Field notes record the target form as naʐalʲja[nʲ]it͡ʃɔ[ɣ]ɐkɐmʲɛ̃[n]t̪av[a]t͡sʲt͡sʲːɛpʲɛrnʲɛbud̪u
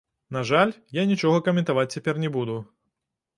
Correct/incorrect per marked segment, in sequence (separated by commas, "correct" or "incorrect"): correct, correct, correct, correct